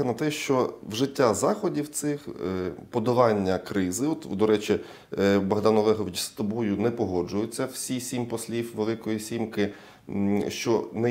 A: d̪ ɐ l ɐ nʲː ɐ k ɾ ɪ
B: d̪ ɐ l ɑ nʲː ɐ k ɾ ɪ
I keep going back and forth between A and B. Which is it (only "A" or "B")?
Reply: B